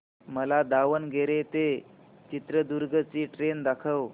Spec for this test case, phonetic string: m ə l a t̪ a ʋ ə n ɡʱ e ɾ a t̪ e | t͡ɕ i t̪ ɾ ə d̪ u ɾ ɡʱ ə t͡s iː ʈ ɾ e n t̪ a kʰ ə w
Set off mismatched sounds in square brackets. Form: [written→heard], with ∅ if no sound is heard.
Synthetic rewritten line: m ə l a [t̪→d̪] a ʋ ə n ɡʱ e ɾ [a→e] t̪ e | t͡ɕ i t̪ ɾ ə d̪ u ɾ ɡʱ ə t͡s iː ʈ ɾ e n [t̪→d̪] a kʰ ə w